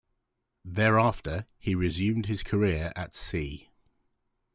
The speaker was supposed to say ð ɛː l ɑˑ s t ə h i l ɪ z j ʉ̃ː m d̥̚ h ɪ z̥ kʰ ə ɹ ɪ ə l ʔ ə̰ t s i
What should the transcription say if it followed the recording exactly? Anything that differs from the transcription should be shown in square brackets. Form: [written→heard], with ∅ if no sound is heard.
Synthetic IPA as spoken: ð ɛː [l→ɹ] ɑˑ [s→f] t ə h i [l→ɹ] ɪ z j ʉ̃ː m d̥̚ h ɪ z̥ kʰ ə ɹ ɪ ə [l→ɹ] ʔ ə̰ t s [i→iː]